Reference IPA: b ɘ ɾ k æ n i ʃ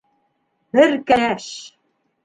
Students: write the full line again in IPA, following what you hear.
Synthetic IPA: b ɘ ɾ k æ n æ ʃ